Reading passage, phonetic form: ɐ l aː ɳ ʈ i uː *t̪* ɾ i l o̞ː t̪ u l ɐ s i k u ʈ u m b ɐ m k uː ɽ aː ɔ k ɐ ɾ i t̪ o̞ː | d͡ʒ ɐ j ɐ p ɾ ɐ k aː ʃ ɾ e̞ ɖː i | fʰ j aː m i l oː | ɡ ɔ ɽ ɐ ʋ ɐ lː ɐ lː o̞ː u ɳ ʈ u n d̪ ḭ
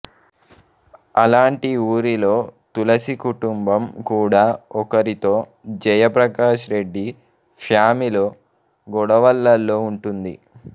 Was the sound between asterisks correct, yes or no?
no